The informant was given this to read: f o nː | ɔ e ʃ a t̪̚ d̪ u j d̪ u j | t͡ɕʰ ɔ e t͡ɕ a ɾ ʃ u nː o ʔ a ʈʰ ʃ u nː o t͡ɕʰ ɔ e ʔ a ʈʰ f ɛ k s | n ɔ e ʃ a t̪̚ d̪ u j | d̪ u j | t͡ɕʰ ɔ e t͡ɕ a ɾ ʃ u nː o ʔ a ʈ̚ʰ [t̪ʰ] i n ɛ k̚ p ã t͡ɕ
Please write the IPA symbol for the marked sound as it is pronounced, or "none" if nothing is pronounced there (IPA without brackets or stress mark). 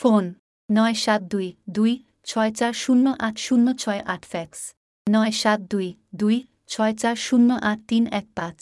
t̪